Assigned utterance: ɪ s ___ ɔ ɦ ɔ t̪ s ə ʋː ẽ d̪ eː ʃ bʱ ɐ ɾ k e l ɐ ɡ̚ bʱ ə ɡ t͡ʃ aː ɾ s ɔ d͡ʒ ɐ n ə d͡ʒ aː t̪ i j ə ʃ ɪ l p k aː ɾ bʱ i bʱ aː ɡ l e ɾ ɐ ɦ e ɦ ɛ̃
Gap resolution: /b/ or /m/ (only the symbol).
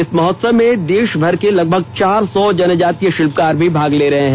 m